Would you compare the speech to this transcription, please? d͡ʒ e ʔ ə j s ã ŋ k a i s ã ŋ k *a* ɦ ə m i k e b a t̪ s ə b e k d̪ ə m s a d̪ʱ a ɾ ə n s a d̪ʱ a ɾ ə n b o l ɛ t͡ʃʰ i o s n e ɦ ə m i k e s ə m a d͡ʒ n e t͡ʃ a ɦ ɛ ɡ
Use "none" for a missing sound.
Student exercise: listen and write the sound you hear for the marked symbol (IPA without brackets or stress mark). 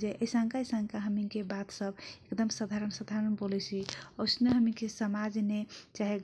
a